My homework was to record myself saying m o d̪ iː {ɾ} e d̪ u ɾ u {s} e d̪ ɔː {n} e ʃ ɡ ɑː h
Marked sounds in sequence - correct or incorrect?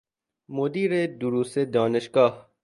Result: correct, correct, correct

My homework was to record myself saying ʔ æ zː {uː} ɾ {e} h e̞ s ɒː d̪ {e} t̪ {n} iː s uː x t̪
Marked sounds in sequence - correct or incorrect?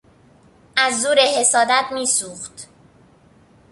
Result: correct, correct, incorrect, incorrect

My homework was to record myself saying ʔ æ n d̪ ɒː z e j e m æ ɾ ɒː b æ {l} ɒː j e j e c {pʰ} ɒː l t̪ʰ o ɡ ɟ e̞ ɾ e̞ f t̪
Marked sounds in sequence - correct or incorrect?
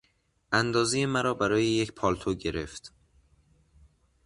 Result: incorrect, correct

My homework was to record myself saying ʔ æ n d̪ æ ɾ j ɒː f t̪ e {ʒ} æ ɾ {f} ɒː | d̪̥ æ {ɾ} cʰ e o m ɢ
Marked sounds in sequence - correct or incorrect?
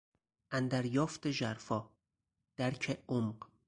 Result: correct, correct, correct

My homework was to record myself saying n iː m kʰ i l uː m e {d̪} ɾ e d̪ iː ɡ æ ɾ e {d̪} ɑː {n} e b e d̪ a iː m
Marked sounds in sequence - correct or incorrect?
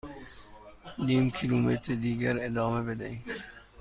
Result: incorrect, correct, incorrect

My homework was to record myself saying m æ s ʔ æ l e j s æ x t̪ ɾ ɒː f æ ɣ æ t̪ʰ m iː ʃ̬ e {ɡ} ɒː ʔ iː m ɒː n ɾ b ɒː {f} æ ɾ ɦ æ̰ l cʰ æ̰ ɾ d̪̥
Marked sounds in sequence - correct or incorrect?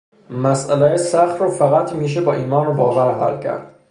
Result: incorrect, incorrect

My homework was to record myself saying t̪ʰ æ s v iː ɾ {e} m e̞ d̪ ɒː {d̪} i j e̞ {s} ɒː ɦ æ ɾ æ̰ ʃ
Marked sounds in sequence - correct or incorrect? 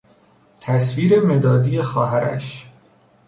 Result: correct, correct, incorrect

